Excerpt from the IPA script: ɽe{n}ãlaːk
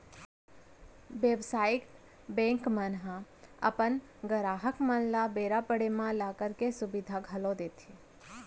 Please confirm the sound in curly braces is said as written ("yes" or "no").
no